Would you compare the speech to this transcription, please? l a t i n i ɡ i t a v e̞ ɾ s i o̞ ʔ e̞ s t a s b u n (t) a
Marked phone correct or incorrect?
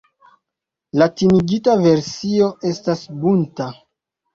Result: correct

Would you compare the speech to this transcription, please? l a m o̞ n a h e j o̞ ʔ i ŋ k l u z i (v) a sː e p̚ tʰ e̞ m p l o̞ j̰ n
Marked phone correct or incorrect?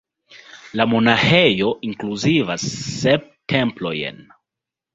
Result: correct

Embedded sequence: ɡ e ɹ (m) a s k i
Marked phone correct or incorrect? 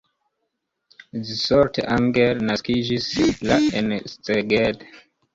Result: incorrect: n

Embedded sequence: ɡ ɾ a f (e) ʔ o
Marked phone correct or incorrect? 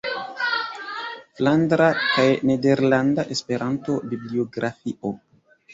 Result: incorrect: i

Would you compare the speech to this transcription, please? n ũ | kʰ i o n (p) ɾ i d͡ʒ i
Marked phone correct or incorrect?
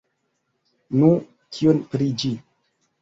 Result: correct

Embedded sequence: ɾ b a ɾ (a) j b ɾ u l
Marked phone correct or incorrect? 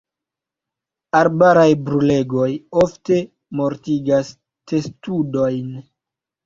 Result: correct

